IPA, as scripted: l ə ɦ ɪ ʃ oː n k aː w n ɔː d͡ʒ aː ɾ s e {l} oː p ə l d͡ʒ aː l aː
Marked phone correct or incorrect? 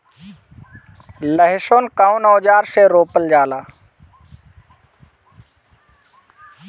incorrect